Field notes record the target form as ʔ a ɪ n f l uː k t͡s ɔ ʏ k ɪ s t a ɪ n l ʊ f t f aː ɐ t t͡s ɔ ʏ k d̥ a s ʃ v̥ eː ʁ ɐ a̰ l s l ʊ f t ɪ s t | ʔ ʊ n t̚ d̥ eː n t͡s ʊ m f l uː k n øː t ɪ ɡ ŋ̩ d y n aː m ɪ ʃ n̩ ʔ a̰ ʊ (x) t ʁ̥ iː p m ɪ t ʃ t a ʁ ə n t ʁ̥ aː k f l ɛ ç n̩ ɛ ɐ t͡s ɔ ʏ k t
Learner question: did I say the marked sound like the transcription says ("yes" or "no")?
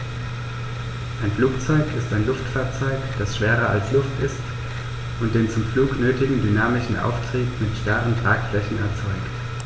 no